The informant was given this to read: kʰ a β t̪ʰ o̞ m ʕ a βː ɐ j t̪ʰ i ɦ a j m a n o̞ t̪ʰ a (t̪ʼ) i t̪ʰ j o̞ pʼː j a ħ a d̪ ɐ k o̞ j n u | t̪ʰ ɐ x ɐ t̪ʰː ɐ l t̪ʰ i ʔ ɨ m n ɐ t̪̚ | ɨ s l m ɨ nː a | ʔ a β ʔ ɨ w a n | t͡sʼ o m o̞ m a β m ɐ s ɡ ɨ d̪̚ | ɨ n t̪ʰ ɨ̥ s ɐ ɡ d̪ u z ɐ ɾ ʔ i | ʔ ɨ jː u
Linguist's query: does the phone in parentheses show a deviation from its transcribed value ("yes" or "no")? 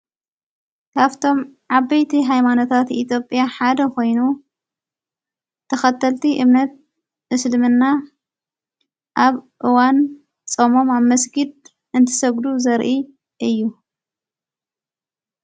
yes